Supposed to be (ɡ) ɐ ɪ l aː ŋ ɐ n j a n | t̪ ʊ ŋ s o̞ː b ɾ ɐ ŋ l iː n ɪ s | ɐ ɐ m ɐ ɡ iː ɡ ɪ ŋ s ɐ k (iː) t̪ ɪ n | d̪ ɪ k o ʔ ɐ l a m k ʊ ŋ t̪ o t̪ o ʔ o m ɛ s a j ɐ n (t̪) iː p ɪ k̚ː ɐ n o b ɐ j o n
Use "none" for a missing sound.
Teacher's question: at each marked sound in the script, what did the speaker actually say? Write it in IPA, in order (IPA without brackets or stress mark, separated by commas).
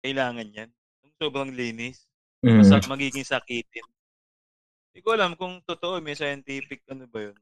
k, iː, t̪